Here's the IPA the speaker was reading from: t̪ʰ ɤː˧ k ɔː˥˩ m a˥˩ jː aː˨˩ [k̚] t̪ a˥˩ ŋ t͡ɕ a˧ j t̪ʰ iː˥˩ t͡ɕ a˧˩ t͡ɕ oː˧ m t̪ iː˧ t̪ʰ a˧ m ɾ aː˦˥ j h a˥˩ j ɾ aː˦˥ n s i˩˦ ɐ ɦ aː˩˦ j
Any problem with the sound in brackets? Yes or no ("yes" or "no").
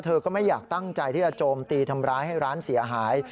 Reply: no